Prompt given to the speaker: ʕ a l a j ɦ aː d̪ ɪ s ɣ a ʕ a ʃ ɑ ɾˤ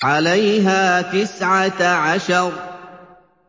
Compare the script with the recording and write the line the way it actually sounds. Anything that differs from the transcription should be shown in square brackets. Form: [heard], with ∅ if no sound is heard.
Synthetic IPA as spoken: ʕ a l a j ɦ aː [t̪] ɪ s [ʕ] a ʕ a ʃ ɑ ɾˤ

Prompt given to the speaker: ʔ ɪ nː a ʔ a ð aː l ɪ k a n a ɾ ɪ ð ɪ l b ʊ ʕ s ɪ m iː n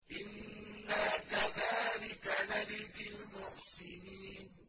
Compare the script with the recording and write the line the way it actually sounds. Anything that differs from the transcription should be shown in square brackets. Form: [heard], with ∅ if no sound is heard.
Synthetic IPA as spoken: ʔ ɪ nː a [k] a ð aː l ɪ k a n a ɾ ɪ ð ɪ l [m] ʊ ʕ s ɪ [n] iː n

